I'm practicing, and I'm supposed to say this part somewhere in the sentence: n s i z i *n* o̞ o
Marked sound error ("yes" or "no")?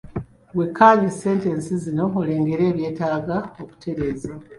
no